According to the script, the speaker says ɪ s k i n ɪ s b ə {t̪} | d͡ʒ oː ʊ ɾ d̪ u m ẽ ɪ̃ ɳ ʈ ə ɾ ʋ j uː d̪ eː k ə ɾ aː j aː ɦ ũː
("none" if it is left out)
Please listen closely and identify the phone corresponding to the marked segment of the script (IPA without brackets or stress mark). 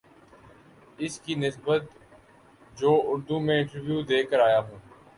t̪